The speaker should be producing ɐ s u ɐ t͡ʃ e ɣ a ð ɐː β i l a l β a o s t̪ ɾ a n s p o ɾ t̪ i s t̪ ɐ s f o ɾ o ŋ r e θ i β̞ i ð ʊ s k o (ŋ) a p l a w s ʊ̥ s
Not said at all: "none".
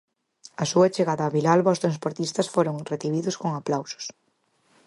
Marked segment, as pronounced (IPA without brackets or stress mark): ŋ